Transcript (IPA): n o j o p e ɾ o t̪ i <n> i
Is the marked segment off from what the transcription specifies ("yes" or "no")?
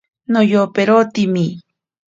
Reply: yes